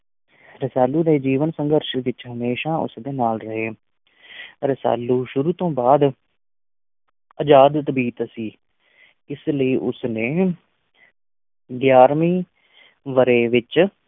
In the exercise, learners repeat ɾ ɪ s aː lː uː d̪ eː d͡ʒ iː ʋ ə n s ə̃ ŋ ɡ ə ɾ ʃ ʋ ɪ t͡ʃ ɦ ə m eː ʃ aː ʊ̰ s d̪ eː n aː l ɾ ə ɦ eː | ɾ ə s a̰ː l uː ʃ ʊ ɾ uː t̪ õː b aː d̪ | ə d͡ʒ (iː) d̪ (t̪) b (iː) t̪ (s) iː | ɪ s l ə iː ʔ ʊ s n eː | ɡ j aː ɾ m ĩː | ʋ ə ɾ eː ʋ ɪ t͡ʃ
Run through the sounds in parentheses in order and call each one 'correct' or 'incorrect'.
incorrect: aː, correct, correct, correct

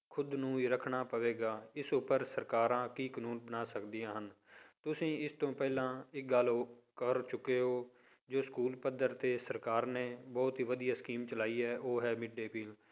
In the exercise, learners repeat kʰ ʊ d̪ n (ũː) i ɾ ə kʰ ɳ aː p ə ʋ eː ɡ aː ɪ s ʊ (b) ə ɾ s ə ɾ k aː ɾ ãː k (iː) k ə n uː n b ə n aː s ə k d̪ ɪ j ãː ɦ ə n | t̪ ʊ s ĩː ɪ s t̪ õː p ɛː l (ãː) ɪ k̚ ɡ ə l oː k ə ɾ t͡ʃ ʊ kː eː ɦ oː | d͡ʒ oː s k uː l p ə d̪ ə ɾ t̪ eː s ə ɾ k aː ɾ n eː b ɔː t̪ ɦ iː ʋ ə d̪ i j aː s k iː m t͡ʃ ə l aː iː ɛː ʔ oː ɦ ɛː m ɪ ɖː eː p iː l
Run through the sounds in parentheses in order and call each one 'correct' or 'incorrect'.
correct, incorrect: p, correct, correct

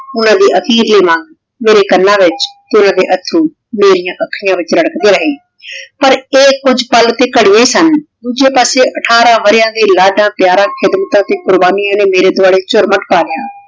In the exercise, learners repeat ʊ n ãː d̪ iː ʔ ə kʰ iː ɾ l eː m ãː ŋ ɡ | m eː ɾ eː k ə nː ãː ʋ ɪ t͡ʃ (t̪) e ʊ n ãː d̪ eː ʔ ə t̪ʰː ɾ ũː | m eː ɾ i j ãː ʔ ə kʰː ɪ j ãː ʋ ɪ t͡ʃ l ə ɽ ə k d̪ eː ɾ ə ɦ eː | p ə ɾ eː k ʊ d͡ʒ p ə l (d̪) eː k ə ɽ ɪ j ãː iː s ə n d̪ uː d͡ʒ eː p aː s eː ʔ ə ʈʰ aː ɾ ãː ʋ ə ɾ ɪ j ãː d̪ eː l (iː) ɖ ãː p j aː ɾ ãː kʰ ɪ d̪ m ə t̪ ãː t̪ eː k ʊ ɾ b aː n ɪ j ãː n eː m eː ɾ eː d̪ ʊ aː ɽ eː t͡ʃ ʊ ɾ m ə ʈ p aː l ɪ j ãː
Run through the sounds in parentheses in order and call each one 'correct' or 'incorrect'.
correct, incorrect: t̪, incorrect: aː

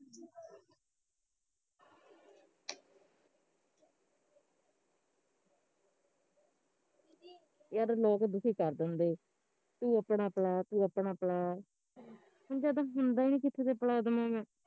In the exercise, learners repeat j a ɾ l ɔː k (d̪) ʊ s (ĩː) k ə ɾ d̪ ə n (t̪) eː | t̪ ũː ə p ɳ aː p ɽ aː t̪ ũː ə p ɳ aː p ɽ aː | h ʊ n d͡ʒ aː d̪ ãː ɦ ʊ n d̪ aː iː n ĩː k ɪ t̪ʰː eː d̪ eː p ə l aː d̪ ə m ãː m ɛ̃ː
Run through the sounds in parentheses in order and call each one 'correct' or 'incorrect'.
correct, incorrect: iː, incorrect: d̪

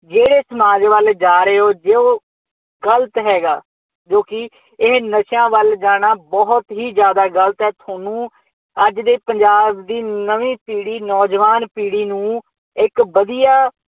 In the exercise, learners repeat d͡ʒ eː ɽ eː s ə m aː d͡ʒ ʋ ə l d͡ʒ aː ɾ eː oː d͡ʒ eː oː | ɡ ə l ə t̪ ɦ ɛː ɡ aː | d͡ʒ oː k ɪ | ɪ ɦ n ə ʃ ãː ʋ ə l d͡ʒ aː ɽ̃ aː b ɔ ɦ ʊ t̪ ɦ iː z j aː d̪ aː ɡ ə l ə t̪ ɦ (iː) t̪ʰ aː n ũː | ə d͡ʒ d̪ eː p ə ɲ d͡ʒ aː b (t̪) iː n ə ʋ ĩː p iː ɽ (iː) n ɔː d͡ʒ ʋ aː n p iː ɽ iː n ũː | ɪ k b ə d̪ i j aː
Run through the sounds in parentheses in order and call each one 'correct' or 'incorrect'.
incorrect: ɛː, incorrect: d̪, correct

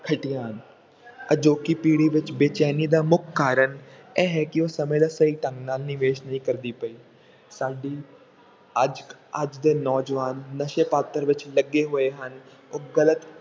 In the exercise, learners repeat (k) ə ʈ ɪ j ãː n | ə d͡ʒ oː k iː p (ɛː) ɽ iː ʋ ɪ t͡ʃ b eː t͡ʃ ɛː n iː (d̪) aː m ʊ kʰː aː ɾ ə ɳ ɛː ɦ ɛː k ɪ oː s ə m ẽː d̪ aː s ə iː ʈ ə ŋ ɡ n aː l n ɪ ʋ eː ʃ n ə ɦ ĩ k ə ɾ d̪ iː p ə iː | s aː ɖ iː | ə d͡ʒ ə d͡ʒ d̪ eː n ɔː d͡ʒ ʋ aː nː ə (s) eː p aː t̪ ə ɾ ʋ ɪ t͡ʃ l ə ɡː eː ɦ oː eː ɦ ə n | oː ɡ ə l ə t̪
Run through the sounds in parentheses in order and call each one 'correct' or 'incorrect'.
incorrect: kʰ, incorrect: iː, correct, incorrect: ʃ

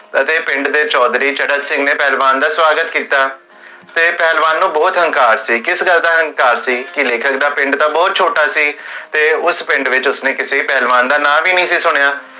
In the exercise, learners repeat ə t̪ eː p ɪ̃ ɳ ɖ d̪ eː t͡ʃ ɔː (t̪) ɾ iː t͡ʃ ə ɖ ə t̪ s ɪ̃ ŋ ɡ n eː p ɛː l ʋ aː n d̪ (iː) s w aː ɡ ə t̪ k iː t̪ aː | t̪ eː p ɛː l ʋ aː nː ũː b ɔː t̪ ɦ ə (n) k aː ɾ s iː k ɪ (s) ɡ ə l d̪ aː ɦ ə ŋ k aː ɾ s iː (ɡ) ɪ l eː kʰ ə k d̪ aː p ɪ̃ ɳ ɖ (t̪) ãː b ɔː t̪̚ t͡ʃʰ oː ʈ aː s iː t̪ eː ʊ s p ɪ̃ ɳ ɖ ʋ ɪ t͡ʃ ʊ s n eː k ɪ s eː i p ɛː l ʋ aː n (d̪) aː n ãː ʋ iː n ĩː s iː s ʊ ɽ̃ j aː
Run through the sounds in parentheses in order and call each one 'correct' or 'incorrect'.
incorrect: d̪, incorrect: aː, incorrect: ŋ, correct, incorrect: k, correct, correct

